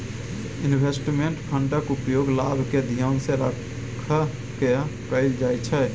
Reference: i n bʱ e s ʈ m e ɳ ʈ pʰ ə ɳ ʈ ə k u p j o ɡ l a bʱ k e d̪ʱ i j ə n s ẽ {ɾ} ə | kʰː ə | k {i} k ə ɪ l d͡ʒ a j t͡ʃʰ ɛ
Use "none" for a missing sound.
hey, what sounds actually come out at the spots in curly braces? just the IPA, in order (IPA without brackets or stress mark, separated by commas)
ɾ, e